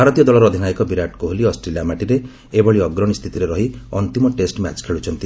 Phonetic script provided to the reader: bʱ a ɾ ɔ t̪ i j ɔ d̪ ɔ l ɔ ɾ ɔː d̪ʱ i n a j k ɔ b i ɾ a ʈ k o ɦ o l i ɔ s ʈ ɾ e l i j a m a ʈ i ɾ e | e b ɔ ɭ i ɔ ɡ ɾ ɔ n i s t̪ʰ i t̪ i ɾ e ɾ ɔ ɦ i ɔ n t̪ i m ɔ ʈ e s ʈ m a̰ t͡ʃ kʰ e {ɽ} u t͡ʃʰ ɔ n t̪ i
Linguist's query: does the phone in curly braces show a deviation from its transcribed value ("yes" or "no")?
yes